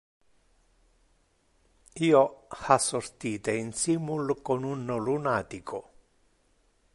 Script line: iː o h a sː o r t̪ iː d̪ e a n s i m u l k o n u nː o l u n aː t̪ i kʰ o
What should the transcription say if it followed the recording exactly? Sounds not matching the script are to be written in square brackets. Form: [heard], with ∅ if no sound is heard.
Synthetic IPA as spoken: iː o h a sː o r t̪ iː [t̪] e [i] n s i m u l k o n u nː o l u n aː t̪ i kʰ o